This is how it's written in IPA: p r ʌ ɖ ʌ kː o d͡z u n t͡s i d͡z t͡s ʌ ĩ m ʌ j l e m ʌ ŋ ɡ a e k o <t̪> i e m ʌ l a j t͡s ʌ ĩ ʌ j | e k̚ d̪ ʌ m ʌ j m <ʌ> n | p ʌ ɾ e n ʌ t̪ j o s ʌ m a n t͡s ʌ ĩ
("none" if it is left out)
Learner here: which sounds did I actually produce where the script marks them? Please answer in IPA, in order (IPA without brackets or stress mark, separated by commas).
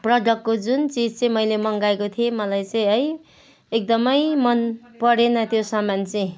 t̪ʰ, ʌ